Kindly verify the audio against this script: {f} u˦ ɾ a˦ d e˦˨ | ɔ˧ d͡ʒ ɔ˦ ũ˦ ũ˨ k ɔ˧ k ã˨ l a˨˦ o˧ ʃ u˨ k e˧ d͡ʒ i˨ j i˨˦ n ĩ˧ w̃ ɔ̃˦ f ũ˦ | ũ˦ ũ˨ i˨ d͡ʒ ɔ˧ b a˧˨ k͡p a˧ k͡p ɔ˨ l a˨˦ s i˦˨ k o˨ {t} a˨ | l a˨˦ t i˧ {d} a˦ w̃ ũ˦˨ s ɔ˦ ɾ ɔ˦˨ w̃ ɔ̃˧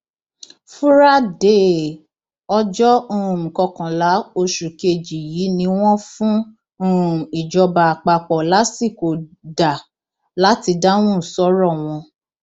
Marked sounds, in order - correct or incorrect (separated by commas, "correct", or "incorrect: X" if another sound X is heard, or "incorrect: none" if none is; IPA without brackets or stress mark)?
correct, incorrect: d, correct